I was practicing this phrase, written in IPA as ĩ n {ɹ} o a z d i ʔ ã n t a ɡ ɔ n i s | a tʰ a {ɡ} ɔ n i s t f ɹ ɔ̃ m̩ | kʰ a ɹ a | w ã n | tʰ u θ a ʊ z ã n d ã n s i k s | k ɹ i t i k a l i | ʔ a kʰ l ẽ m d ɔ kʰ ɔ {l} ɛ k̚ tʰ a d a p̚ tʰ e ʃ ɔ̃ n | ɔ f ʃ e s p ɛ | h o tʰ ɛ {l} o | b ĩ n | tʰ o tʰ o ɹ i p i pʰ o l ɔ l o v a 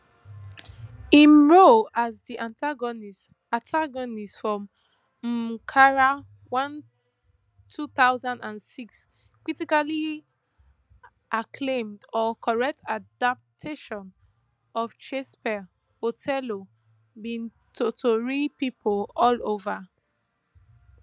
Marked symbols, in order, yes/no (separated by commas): yes, yes, no, yes